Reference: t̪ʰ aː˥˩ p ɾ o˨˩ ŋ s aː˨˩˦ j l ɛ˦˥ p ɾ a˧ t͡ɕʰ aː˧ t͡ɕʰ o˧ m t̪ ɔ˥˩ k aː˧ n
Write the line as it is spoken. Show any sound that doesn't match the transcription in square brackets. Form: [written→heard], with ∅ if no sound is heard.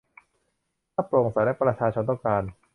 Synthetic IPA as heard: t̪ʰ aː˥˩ p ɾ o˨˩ ŋ s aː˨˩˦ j l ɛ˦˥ p ɾ a˧ t͡ɕʰ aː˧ t͡ɕʰ o˧ [m→n] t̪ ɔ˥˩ k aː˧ n